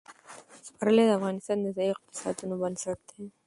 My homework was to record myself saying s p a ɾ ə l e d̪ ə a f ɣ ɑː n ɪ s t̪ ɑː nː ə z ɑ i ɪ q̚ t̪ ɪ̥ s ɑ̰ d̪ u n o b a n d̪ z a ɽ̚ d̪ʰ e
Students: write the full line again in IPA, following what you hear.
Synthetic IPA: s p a ɾ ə l e d̪ ə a f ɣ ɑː n ɪ s t̪ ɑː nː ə z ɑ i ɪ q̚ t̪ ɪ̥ s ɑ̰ d̪ u n o b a n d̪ s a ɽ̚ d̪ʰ e